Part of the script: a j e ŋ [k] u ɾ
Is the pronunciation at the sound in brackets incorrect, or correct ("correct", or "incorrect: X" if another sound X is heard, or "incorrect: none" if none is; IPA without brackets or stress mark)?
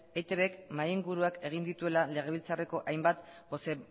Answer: incorrect: ɡ